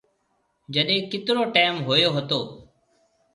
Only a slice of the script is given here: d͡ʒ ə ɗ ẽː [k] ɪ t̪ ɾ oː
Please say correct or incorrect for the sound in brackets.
correct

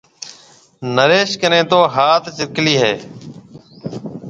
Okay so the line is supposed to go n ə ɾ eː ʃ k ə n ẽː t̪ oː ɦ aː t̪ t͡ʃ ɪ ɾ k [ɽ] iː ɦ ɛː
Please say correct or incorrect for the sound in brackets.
incorrect: l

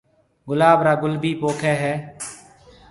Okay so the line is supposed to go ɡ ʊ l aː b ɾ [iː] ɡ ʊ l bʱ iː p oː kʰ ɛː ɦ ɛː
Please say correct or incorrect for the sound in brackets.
incorrect: aː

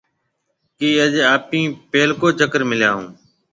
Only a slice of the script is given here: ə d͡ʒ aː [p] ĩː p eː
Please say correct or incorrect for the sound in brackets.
correct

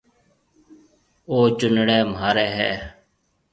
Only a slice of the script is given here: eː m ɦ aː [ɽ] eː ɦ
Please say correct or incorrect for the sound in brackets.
incorrect: ɾ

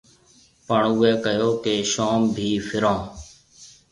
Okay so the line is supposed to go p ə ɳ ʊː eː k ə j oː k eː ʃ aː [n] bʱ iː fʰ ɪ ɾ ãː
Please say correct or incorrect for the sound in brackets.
incorrect: m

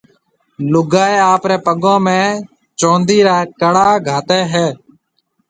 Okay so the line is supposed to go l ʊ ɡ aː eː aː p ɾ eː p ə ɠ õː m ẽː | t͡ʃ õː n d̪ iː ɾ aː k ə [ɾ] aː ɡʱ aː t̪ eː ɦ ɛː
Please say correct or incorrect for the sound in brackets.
incorrect: ɽ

